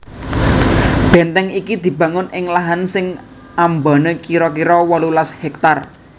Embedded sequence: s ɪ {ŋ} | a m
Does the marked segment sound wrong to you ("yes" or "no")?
no